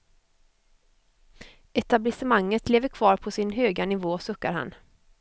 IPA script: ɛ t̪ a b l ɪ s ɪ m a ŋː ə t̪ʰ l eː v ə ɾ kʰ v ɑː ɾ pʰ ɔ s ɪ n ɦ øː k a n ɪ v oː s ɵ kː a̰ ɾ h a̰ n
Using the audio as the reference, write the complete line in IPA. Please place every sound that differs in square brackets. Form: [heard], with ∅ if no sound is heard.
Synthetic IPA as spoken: ɛ t̪ a b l ɪ s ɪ m a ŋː ə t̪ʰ l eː v ə ɾ kʰ v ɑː ɾ pʰ ɔ s ɪ n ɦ øː [ɡ] a n ɪ v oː s ɵ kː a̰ ɾ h a̰ n